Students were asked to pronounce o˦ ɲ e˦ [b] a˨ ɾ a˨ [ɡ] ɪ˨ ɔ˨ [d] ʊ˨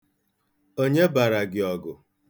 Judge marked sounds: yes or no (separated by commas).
yes, yes, no